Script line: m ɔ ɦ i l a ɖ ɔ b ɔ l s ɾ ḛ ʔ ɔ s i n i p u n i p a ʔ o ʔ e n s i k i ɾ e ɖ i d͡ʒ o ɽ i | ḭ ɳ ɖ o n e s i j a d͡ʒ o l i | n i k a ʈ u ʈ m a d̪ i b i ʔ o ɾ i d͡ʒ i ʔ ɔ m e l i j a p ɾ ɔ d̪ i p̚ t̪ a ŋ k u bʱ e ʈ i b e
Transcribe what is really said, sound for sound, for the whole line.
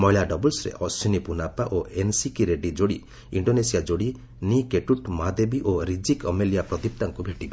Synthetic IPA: m ɔ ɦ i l a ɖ ɔ b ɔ l s ɾ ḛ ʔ ɔ s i n i p u n a p a ʔ o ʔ e n s i k i ɾ e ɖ i d͡ʒ o ɽ i | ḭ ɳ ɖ o n e s i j a d͡ʒ o ɽ i | n i k e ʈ u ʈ m a d̪ e b i ʔ o ɾ i d͡ʒ i k ɔ m e l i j a p ɾ ɔ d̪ i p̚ t̪ a ŋ k u bʱ e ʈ i b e